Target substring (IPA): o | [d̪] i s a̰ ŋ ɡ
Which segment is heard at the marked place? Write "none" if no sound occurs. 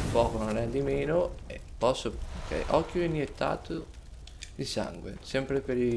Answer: d̪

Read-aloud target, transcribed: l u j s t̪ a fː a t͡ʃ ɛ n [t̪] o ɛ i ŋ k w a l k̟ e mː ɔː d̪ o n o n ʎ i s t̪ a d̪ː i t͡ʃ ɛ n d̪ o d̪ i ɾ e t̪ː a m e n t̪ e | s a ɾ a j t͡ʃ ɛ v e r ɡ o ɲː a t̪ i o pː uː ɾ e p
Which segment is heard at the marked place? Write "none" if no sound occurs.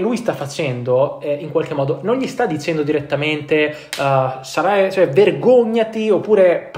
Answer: d̪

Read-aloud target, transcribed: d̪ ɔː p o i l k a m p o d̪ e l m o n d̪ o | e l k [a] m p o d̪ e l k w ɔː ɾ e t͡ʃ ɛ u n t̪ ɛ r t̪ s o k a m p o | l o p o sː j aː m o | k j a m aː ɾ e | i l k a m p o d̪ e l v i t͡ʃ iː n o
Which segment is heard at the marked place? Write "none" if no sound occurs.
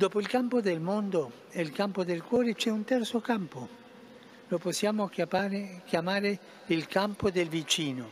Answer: a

